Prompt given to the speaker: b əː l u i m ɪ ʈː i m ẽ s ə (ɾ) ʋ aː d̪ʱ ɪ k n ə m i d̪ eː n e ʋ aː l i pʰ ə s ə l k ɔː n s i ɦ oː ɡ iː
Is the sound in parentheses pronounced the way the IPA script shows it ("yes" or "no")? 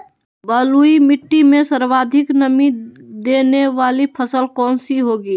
yes